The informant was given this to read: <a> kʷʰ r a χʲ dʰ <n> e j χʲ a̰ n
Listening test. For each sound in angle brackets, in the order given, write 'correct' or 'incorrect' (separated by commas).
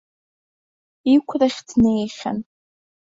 incorrect, correct